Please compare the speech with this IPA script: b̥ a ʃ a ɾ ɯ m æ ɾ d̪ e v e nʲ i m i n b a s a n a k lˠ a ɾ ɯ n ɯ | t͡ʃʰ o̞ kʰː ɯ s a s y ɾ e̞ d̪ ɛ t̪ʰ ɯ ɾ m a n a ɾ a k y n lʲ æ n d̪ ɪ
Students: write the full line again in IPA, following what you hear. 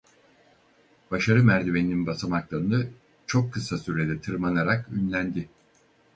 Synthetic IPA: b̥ a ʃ a ɾ ɯ m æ ɾ d̪ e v e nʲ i n i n b a s a m a k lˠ a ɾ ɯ n ɯ | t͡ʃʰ o̞ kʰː ɯ s a s y ɾ e̞ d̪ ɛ t̪ʰ ɯ ɾ m a n a ɾ a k y n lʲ æ n d̪ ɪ